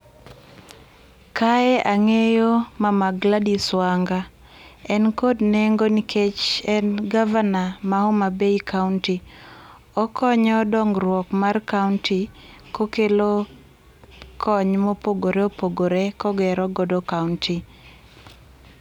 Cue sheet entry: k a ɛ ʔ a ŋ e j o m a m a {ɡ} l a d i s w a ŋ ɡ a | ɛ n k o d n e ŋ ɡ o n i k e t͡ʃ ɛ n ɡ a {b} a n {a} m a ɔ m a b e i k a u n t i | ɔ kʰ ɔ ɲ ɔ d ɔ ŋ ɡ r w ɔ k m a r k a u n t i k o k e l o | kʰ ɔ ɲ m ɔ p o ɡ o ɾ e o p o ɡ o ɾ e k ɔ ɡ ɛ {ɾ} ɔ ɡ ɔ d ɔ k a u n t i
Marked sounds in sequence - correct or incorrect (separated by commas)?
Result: correct, incorrect, correct, correct